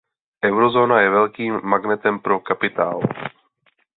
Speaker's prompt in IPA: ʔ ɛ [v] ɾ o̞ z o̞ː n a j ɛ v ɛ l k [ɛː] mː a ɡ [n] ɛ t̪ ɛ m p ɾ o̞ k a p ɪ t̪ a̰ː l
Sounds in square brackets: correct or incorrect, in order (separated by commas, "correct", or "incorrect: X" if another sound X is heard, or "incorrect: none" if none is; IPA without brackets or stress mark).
incorrect: w, incorrect: iː, correct